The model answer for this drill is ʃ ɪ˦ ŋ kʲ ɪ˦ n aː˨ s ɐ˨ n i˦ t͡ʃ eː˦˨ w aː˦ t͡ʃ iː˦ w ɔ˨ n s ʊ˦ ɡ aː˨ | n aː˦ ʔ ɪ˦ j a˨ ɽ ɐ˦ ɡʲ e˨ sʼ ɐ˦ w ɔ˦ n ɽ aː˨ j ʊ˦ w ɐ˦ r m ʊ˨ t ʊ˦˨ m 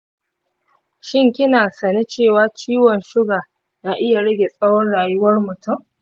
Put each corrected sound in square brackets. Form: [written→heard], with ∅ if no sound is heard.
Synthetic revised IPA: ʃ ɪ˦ ŋ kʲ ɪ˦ n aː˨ s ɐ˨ n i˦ t͡ʃ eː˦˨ w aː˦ t͡ʃ iː˦ w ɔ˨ n [s→ʃ] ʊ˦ ɡ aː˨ | n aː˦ ʔ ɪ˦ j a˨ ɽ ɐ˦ ɡʲ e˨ sʼ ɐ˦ w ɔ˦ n ɽ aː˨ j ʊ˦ w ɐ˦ r m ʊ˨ t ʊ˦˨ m